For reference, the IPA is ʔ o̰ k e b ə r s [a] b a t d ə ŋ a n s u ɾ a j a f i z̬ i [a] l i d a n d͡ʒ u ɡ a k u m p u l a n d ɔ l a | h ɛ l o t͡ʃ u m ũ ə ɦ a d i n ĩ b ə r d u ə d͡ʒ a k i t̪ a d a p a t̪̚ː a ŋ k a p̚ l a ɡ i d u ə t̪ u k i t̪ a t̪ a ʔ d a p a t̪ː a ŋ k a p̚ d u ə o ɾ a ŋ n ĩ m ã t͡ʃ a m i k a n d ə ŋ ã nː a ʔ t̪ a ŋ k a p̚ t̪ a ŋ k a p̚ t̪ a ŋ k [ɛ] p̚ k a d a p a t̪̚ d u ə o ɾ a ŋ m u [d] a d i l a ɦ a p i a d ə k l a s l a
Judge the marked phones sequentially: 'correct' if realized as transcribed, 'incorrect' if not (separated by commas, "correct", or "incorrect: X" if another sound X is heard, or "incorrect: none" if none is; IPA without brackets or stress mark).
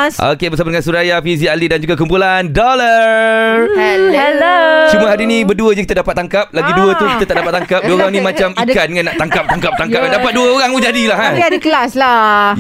correct, correct, incorrect: a, incorrect: d͡ʒ